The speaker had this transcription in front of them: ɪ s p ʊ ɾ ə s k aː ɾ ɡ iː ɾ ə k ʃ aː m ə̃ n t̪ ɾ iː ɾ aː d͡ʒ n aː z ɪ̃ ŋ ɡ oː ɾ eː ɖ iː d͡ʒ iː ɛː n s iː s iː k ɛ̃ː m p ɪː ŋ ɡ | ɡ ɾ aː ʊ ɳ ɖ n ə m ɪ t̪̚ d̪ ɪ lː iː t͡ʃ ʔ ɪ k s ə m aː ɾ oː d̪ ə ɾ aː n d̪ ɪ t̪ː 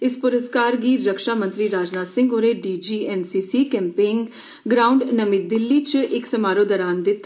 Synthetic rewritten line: ɪ s p ʊ ɾ ə s k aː ɾ ɡ iː ɾ ə k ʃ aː m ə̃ n t̪ ɾ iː ɾ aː d͡ʒ n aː s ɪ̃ ŋ ɡ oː ɾ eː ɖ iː d͡ʒ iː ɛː n s iː s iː k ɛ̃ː m p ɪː ŋ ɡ | ɡ ɾ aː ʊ ɳ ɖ n ə m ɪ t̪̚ d̪ ɪ lː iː t͡ʃ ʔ ɪ k s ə m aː ɾ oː d̪ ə ɾ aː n d̪ ɪ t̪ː

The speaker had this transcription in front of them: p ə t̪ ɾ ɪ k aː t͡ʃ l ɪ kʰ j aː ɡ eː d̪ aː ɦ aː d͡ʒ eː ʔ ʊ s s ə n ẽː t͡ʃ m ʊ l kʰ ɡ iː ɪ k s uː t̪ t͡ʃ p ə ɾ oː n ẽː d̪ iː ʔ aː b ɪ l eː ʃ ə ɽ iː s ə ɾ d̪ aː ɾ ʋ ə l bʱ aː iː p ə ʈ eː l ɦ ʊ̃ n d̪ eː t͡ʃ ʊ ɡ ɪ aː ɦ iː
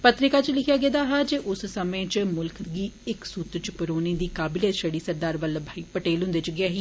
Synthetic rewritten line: p ə t̪ ɾ ɪ k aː t͡ʃ l ɪ kʰ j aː ɡ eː d̪ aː ɦ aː d͡ʒ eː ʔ ʊ s s ə m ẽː t͡ʃ m ʊ l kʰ ɡ iː ɪ k s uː t̪ t͡ʃ p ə ɾ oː n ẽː d̪ iː k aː b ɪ l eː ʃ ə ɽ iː s ə ɾ d̪ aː ɾ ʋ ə l bʱ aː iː p ə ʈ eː l ɦ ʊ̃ n d̪ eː t͡ʃ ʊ ɡ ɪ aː ɦ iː

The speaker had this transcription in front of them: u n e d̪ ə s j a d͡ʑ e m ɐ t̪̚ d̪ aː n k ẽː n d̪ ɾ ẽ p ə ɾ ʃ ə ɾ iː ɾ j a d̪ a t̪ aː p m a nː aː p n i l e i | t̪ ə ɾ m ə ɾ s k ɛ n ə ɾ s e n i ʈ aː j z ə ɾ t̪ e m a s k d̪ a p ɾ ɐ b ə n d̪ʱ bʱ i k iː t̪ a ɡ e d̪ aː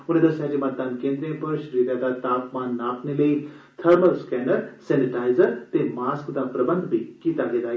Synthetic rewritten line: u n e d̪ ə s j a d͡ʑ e m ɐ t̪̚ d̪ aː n k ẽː n d̪ ɾ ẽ p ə ɾ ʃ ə ɾ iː ɾ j a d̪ a t̪ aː p m a nː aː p n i l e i | t̪ʰ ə ɾ m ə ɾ s k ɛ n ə ɾ s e n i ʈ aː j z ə ɾ t̪ e m a s k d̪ a p ɾ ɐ b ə n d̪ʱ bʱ i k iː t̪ a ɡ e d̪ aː

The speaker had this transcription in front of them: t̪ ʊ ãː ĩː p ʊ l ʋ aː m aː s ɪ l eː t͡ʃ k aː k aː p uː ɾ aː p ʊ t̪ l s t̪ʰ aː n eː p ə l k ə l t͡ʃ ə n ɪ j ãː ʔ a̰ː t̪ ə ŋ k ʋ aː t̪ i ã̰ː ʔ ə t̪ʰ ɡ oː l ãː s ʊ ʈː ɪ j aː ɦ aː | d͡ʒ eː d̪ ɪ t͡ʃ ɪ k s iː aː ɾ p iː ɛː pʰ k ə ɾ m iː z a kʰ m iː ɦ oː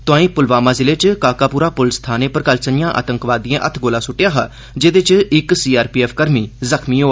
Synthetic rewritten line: t̪ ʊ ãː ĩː p ʊ l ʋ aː m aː z ɪ l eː t͡ʃ k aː k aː p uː ɾ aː p ʊ l s t̪ʰ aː n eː p ə ɾ k ə l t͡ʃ ə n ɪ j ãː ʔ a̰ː t̪ ə ŋ k ʋ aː d̪ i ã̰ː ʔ ə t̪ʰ ɡ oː l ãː s ʊ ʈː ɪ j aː ɦ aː | d͡ʒ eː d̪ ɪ t͡ʃ ɪ k s iː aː ɾ p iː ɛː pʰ k ə ɾ m iː z ə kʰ m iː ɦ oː

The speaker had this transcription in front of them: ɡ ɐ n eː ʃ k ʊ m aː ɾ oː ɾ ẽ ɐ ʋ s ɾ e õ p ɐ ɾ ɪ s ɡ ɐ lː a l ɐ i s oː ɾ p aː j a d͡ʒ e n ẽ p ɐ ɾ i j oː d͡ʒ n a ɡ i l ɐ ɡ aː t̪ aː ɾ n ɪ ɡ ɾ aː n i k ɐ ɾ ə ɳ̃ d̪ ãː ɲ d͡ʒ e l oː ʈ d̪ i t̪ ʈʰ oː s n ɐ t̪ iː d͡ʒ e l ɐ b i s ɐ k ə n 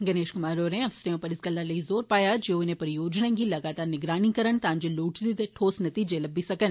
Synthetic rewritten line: ɡ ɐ n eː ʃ k ʊ m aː ɾ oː ɾ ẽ ɐ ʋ s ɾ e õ p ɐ ɾ ɪ s ɡ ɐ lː a l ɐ i z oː ɾ p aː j a d͡ʒ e n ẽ p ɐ ɾ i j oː d͡ʒ n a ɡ i l ɐ ɡ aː t̪ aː ɾ n ɪ ɡ ɾ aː n i k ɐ ɾ ə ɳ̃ t̪ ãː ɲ d͡ʒ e l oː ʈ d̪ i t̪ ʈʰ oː s n ɐ t̪ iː d͡ʒ e l ɐ b i s ɐ k ə n

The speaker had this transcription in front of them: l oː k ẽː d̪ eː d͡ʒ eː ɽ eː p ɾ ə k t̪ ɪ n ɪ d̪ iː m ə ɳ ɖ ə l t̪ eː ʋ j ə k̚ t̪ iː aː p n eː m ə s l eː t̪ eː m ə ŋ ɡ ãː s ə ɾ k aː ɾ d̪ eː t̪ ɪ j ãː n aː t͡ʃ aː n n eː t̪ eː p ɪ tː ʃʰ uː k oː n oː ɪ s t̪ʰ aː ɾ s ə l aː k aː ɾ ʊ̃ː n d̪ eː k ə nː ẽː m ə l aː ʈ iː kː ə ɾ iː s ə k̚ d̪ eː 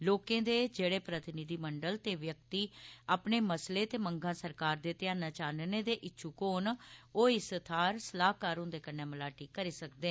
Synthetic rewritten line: l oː k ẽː d̪ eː d͡ʒ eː ɽ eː p ɾ ə t̪ ɪ n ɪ d̪ iː m ə ɳ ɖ ə l t̪ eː ʋ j ə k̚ t̪ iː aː p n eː m ə s l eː t̪ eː m ə ŋ ɡ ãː s ə ɾ k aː ɾ d̪ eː t̪ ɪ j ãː n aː t͡ʃ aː n n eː d̪ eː ʔ ɪ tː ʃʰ uː k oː n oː ɪ s t̪ʰ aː ɾ s ə l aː k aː ɾ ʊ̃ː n d̪ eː k ə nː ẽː m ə l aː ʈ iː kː ə ɾ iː s ə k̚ d̪ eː

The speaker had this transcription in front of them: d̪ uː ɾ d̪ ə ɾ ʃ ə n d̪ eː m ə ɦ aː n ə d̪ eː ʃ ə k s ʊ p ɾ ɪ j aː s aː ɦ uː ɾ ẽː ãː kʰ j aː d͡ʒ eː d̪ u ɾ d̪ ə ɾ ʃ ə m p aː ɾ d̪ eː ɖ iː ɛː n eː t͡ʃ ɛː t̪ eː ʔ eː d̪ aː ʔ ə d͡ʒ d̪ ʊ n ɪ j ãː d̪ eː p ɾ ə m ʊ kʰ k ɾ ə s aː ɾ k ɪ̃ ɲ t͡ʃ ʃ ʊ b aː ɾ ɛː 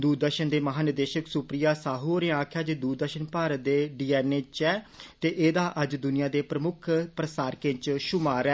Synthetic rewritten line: d̪ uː ɾ d̪ ə ɾ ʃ ə n d̪ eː m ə ɦ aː n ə d̪ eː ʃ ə k s ʊ p ɾ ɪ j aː s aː ɦ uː ɾ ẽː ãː kʰ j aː d͡ʒ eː d̪ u ɾ d̪ ə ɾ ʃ ə n p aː ɾ d̪ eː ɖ iː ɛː n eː t͡ʃ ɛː t̪ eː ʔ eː d̪ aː ʔ ə d͡ʒ d̪ ʊ n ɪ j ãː d̪ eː p ɾ ə m ʊ kʰ p ɾ ə s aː ɾ k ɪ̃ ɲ t͡ʃ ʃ ʊ m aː ɾ ɛː

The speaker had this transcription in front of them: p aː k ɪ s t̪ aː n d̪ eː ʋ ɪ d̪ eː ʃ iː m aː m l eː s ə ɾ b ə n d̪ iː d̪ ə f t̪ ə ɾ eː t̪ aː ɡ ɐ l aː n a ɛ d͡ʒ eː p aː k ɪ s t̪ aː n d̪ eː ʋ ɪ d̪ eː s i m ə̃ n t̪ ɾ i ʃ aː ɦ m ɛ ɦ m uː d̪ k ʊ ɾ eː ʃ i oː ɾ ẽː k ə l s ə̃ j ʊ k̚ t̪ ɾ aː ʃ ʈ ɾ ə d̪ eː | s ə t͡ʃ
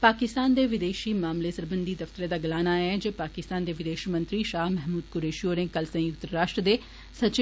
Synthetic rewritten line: p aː k ɪ s t̪ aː n d̪ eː ʋ ɪ d̪ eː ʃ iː m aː m l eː s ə ɾ b ə n d̪ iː d̪ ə f t̪ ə ɾ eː d̪ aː ɡ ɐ l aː n a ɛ d͡ʒ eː p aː k ɪ s t̪ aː n d̪ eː ʋ ɪ d̪ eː ʃ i m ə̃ n t̪ ɾ i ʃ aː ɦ m ɛ ɦ m uː d̪ k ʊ ɾ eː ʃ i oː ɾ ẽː k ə l s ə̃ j ʊ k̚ t̪ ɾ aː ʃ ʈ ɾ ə d̪ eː | s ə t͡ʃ

